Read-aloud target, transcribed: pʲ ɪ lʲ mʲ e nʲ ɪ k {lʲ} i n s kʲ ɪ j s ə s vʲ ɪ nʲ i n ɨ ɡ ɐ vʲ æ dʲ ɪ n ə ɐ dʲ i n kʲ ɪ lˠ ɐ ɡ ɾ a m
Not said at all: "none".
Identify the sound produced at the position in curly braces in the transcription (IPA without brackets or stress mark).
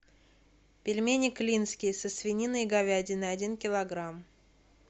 lʲ